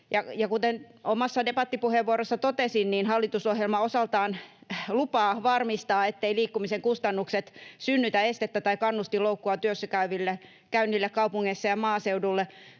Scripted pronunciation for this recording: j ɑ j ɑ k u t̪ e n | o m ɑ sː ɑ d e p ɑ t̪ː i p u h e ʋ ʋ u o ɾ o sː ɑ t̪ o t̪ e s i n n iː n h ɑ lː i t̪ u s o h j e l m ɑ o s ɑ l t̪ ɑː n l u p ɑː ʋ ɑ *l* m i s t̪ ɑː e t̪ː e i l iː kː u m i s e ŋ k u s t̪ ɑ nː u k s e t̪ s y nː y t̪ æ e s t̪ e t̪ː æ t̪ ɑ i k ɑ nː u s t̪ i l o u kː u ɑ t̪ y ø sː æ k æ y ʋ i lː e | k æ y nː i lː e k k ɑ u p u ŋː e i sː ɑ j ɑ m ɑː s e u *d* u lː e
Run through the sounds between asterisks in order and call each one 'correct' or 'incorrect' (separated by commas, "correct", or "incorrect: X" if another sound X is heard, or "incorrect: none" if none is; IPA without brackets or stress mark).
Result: incorrect: r, correct